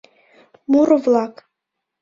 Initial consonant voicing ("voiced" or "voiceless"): voiced